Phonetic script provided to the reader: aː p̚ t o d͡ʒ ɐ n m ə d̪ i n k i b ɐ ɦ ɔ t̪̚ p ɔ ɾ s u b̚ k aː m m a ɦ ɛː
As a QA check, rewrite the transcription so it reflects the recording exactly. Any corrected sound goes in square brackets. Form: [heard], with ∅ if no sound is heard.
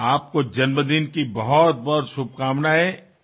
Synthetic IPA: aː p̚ [k] o d͡ʒ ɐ n m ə d̪ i n k i b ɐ ɦ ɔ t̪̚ [b] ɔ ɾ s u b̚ k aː m [n] a ɦ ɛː